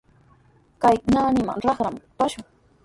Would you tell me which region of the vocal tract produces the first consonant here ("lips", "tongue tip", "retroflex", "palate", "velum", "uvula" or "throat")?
velum